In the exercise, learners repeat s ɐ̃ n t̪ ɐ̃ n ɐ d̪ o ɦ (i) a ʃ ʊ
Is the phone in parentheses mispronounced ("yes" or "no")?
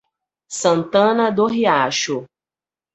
no